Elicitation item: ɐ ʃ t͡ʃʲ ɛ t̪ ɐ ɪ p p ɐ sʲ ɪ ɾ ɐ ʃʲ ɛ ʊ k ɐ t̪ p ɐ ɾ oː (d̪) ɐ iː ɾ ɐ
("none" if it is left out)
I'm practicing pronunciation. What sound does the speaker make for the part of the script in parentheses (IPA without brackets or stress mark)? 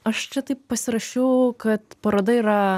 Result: d̪